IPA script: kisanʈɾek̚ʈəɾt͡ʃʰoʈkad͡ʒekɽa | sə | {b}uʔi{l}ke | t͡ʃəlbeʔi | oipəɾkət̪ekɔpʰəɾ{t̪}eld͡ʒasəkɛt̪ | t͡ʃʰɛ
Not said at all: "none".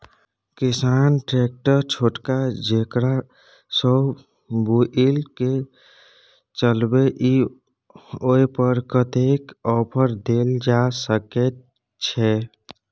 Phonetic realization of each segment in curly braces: b, l, d̪

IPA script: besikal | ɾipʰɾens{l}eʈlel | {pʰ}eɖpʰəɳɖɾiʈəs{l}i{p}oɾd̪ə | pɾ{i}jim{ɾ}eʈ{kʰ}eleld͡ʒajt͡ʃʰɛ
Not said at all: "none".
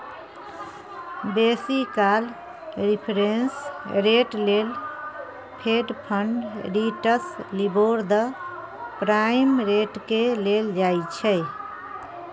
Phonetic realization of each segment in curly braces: ɾ, pʰ, l, b, a, ɾ, k

